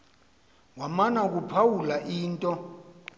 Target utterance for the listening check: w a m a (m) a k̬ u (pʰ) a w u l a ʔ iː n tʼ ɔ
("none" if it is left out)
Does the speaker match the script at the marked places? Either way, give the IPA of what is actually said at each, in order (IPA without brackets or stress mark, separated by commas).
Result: n, pʰ